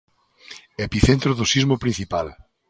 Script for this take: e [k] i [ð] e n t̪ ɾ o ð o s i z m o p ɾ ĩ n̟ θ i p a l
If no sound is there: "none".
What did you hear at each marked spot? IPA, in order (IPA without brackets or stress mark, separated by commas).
p, θ